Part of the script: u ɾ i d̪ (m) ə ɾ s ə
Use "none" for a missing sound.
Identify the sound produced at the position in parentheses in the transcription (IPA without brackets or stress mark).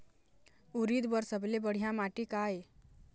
b